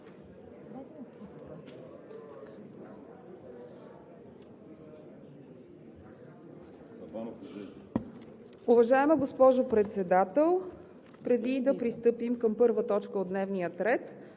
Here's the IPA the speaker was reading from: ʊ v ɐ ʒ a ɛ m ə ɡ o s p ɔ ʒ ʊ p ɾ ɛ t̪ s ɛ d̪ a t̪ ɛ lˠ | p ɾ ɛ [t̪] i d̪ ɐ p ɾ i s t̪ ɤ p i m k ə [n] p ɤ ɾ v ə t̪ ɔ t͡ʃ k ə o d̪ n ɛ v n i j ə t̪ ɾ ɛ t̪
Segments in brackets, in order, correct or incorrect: incorrect: d̪, incorrect: m

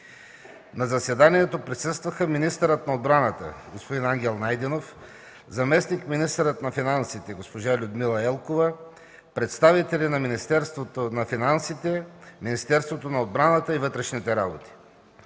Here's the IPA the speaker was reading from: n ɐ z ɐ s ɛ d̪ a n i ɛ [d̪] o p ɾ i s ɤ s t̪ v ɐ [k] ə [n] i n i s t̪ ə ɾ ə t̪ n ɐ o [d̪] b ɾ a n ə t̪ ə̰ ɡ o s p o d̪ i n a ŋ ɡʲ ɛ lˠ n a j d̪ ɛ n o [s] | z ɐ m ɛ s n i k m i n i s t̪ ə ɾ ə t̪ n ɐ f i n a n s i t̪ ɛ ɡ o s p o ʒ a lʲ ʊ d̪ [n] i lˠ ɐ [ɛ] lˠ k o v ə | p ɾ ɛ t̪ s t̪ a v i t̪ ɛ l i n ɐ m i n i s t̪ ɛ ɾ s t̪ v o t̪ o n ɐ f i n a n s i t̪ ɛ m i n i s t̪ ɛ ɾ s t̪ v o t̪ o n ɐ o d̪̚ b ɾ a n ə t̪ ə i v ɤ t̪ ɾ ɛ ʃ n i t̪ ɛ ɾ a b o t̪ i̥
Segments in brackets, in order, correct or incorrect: incorrect: t̪, incorrect: x, incorrect: m, correct, incorrect: f, incorrect: m, correct

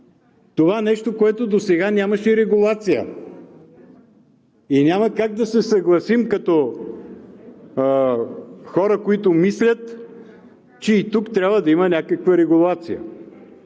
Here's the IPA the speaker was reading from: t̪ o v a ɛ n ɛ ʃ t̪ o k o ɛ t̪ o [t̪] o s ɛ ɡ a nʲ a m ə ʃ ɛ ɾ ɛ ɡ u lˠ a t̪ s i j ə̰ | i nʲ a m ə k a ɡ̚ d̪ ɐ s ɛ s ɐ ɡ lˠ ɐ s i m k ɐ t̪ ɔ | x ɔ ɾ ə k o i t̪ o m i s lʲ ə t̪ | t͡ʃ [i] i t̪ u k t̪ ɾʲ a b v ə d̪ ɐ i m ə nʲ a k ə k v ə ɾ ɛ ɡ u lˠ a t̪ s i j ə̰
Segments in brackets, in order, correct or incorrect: incorrect: d̪, incorrect: ɛ

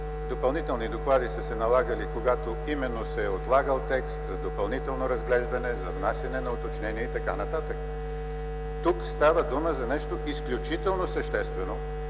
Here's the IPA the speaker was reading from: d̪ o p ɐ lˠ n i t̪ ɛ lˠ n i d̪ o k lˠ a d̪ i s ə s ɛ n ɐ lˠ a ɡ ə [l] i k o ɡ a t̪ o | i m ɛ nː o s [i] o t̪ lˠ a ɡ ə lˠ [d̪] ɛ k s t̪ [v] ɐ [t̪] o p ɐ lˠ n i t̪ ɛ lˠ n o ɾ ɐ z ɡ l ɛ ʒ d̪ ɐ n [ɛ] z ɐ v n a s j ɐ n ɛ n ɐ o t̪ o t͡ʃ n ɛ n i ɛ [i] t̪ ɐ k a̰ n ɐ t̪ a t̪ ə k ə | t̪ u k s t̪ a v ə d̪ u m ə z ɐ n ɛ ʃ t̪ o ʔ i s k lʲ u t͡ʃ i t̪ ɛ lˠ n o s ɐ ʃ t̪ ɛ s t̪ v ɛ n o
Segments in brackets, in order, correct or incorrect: correct, incorrect: ɛ, incorrect: t̪, incorrect: z, incorrect: d̪, correct, correct

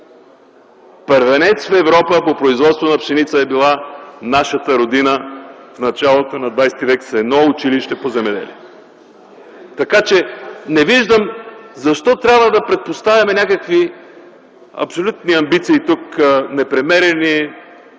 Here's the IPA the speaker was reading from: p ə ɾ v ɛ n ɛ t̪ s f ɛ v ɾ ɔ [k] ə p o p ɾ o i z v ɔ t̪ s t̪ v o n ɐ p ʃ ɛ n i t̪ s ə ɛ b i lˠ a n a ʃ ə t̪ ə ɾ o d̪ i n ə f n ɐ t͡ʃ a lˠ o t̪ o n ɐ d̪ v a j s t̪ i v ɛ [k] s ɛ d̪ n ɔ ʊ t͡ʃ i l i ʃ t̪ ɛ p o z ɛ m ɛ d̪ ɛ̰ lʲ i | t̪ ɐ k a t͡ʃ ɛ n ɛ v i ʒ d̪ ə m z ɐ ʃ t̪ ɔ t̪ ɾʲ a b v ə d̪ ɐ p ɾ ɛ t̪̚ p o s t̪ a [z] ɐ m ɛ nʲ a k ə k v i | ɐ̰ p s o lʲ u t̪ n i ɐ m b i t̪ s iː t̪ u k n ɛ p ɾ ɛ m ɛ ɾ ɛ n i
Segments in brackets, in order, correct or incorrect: incorrect: p, correct, incorrect: v

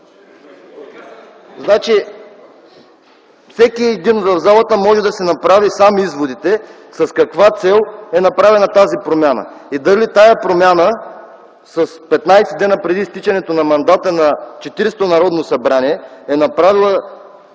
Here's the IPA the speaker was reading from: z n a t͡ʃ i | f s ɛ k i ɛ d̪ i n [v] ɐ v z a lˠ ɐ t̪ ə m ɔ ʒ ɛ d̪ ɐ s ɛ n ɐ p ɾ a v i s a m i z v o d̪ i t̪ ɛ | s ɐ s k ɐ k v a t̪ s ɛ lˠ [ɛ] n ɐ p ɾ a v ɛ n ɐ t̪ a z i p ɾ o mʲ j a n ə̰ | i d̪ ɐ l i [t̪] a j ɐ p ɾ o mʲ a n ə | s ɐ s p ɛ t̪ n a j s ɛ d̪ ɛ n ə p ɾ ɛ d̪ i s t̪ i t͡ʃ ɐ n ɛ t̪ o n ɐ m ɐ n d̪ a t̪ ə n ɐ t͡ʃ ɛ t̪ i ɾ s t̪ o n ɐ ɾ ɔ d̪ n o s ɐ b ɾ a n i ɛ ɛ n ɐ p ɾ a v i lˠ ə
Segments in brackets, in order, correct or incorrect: correct, correct, correct

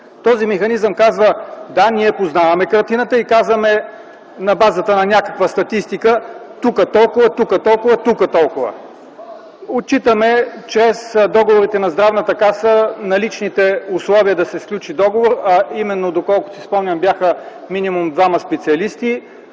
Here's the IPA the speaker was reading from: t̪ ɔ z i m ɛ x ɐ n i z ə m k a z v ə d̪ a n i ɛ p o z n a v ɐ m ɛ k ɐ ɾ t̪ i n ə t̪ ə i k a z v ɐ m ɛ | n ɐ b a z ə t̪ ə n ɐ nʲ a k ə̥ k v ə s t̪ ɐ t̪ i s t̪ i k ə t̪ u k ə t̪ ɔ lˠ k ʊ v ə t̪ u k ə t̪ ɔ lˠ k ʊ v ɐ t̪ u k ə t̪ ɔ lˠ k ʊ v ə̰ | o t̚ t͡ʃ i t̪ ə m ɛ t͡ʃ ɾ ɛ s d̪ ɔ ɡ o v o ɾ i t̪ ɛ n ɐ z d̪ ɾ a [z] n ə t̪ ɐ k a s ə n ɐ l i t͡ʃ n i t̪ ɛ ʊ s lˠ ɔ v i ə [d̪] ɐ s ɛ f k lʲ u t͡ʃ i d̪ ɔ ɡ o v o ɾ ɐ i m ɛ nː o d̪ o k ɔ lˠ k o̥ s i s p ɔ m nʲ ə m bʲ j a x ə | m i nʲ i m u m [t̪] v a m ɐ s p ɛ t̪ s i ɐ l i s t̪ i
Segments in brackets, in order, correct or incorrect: incorrect: v, correct, incorrect: d̪

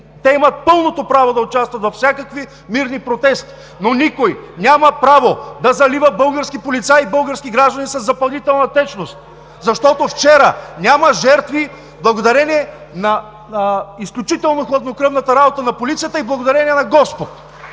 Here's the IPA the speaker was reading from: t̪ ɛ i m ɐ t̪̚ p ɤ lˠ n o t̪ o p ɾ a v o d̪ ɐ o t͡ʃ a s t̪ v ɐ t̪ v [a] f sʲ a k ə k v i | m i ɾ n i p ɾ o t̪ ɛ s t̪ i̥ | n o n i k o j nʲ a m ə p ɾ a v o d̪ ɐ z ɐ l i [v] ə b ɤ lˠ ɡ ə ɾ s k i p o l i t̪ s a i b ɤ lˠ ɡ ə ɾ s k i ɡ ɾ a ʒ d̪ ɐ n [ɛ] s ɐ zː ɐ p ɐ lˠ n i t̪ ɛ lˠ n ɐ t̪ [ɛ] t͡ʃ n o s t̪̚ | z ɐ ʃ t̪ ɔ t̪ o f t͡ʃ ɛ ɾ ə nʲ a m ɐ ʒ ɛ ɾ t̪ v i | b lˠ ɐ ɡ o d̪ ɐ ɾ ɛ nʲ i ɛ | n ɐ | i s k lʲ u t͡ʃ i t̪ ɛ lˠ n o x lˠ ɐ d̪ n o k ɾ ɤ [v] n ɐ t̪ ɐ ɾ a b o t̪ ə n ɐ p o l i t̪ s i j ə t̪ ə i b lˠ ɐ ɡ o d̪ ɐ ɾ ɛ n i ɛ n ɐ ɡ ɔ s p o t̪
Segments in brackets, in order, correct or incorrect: incorrect: ɐ, correct, incorrect: i, correct, correct

